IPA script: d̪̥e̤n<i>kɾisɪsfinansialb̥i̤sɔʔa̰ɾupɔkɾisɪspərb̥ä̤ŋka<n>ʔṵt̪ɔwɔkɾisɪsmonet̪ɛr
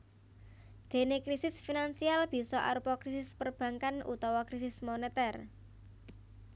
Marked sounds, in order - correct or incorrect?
incorrect: e, correct

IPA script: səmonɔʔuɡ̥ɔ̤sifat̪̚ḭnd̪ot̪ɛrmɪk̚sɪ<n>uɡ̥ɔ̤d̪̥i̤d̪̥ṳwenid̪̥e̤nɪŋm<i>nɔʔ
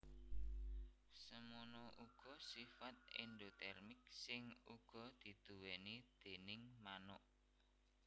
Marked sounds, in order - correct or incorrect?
incorrect: ŋ, incorrect: a

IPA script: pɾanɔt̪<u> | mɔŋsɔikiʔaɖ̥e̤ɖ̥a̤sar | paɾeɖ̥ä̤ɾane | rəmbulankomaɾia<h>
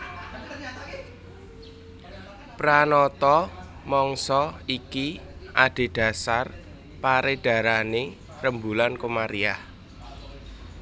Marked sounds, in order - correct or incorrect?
incorrect: ɔ, correct

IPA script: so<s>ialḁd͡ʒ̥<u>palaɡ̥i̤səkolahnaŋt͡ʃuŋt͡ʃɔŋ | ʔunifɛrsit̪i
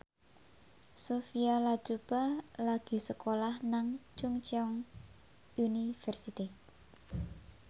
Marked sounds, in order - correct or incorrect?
incorrect: f, correct

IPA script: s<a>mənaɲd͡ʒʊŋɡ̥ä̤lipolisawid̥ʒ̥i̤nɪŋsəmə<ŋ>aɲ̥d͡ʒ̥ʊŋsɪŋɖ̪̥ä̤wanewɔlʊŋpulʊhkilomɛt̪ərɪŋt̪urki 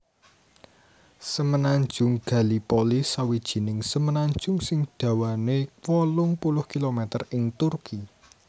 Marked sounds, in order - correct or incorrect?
incorrect: ə, incorrect: n

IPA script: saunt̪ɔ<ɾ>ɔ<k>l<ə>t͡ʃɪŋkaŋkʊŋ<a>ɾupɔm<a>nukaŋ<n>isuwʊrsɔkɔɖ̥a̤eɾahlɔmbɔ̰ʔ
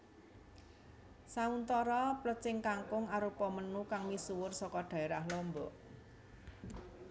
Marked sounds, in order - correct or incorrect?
correct, incorrect: p, correct, correct, incorrect: ə, incorrect: m

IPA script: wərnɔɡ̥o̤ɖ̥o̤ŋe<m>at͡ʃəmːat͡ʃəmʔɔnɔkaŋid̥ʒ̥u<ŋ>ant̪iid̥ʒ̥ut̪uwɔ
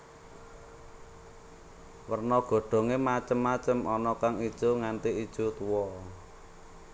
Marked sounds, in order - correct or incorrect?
correct, correct

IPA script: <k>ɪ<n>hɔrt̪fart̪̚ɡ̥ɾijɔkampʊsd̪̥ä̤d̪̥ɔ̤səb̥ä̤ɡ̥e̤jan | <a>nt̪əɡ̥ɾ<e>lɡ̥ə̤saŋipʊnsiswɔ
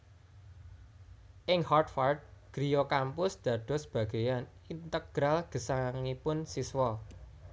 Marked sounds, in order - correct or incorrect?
incorrect: ʔ, incorrect: ŋ, incorrect: i, incorrect: a

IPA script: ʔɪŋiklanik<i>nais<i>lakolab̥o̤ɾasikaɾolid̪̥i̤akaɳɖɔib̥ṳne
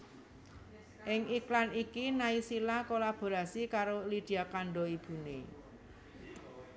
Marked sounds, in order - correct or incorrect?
correct, correct

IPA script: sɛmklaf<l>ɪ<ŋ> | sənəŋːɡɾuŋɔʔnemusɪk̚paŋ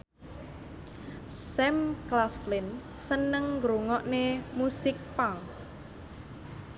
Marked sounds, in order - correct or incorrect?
correct, incorrect: n

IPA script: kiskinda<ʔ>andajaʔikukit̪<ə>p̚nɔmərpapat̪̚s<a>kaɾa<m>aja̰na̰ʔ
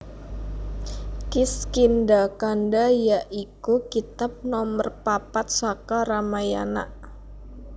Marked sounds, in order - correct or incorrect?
incorrect: k, incorrect: a, correct, correct

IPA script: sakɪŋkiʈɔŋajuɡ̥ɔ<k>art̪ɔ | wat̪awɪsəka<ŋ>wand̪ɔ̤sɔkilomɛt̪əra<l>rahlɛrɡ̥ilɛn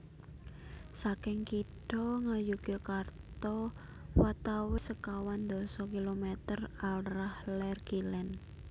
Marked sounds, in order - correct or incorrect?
correct, incorrect: none, correct

